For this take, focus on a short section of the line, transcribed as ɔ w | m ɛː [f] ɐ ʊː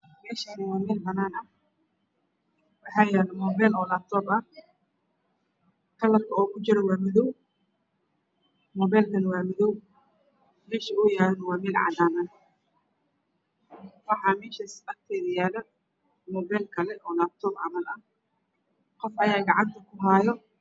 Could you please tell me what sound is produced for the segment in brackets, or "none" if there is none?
ʃ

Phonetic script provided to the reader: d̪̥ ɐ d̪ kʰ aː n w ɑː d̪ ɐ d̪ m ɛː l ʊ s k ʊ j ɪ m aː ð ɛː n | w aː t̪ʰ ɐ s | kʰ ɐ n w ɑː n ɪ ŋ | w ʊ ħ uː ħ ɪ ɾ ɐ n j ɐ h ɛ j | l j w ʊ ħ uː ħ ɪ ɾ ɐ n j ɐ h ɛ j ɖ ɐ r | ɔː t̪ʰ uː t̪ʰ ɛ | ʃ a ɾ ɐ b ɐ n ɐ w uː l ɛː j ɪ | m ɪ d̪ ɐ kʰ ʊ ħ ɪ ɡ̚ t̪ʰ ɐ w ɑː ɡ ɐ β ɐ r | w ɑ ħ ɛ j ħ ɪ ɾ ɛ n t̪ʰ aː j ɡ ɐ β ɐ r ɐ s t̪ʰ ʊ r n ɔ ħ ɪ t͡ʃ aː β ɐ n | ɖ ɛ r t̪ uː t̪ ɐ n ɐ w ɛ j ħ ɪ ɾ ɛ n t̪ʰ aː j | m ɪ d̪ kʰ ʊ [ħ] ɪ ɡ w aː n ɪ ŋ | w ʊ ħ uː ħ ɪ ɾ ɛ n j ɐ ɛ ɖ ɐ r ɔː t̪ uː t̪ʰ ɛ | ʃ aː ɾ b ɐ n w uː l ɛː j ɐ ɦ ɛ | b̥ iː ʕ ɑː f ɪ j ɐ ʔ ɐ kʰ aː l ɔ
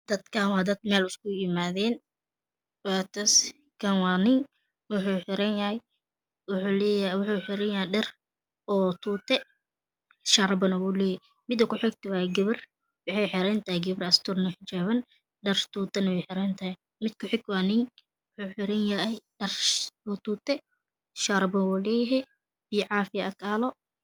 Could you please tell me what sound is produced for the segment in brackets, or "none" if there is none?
ħ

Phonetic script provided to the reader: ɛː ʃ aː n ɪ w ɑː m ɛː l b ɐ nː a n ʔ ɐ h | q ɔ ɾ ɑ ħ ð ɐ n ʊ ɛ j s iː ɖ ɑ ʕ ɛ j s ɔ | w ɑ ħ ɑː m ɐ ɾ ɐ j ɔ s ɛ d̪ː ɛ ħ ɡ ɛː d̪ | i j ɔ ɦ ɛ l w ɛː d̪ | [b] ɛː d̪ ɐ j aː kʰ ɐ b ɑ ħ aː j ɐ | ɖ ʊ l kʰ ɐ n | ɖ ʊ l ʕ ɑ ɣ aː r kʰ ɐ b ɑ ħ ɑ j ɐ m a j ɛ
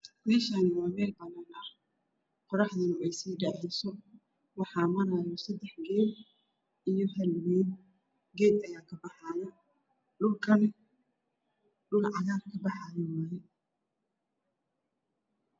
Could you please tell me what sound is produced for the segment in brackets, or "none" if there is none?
ɡ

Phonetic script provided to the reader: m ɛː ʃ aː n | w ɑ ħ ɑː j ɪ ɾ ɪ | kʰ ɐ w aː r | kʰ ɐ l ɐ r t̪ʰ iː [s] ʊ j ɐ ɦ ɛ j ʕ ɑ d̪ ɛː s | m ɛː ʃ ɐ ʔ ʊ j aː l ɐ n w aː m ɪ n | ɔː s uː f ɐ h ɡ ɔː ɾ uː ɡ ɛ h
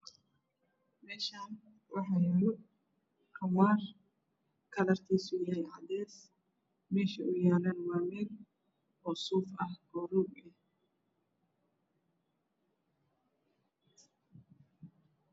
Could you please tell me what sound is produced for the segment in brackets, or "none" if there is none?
s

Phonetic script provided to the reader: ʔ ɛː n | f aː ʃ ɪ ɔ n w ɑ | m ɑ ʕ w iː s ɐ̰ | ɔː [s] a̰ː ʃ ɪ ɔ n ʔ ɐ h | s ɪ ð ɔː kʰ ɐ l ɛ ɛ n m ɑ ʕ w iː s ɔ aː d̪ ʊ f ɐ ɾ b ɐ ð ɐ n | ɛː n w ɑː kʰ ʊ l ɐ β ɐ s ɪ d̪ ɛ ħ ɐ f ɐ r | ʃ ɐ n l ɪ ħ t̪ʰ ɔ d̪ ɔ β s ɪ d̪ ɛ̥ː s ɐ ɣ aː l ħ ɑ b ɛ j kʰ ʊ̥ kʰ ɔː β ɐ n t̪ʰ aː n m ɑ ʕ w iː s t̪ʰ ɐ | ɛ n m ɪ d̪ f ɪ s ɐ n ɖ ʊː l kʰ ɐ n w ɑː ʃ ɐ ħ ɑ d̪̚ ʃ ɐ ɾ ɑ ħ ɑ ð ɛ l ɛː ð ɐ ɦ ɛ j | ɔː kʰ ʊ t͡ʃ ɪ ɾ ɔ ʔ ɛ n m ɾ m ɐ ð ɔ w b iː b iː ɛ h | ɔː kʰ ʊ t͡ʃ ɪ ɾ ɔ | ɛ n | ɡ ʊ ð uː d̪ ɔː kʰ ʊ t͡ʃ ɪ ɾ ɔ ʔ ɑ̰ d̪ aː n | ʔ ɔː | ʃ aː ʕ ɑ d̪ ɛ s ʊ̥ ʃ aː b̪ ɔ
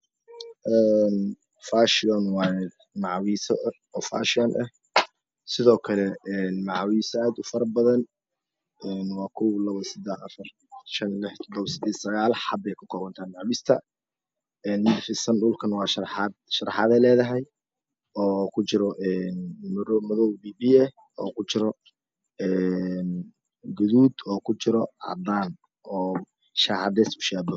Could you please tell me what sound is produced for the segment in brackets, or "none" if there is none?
f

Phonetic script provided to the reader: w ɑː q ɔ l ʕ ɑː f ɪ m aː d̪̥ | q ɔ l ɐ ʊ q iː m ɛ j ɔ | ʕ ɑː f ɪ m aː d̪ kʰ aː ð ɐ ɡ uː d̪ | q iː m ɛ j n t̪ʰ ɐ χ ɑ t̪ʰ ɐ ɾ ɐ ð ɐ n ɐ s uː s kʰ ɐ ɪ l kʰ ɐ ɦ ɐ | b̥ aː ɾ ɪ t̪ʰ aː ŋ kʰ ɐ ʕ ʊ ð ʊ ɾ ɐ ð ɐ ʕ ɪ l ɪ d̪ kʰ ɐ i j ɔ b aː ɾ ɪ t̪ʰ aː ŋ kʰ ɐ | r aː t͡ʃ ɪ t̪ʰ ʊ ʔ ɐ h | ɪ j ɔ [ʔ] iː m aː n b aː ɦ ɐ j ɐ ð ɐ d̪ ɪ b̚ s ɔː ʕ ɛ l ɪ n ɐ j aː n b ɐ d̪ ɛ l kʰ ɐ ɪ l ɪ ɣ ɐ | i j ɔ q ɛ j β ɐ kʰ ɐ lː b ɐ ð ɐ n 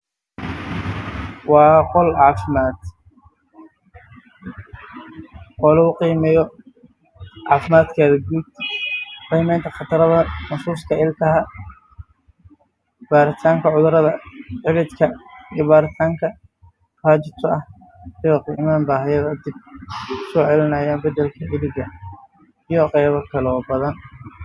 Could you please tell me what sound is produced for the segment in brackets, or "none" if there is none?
q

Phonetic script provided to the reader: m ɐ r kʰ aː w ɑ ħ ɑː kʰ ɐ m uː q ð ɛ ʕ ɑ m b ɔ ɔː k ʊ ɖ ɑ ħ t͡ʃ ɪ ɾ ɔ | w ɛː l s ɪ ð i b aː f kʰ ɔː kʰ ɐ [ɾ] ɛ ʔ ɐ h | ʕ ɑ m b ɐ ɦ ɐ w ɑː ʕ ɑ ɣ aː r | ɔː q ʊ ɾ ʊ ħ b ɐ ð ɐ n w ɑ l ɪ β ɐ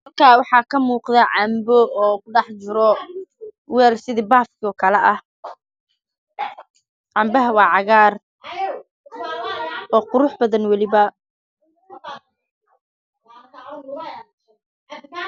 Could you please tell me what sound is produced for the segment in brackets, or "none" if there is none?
l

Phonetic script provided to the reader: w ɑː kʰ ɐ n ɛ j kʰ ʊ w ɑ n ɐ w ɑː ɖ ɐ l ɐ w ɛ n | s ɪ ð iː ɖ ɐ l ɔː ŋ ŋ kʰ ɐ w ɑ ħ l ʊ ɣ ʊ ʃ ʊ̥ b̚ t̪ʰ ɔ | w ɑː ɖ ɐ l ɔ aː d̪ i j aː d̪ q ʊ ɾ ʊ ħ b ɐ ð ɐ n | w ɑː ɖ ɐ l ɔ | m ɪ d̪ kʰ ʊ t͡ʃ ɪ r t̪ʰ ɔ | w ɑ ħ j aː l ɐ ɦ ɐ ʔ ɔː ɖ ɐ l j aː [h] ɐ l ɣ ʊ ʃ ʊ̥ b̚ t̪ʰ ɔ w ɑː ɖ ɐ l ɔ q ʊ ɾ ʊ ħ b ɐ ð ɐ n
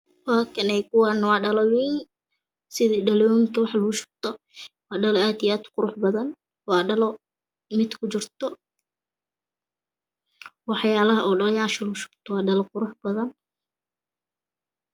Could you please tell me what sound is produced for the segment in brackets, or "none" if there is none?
ʃ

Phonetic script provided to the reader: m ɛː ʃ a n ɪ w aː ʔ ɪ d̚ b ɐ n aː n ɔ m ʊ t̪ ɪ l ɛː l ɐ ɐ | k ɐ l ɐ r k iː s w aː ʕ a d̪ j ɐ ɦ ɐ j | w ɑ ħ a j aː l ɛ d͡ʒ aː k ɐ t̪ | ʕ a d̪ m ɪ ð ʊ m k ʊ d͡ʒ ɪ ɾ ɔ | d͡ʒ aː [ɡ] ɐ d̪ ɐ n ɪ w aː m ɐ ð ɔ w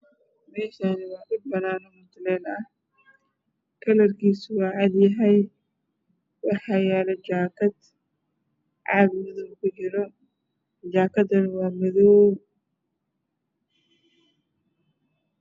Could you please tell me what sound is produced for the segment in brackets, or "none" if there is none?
k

